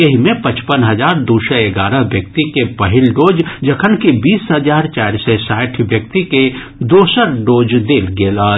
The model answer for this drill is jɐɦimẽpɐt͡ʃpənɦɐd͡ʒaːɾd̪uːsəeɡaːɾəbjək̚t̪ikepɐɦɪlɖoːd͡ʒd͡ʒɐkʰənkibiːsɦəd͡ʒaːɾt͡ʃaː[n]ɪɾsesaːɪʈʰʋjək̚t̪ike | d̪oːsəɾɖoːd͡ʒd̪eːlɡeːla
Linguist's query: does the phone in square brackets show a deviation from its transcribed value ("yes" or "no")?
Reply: yes